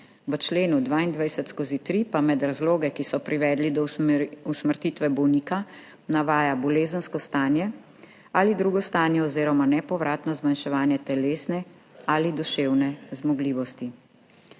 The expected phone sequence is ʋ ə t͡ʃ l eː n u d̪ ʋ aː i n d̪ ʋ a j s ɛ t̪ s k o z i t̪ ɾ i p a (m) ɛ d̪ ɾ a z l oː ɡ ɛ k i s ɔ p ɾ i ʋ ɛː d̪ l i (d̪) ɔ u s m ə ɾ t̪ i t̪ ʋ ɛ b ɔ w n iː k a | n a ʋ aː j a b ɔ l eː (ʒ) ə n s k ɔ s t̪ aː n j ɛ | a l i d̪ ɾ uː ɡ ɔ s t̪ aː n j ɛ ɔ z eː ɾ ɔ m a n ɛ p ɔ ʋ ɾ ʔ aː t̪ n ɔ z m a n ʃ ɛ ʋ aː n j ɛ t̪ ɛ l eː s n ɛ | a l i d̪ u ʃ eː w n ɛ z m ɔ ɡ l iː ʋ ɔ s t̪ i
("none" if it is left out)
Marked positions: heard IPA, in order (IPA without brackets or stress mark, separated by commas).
m, d̪, z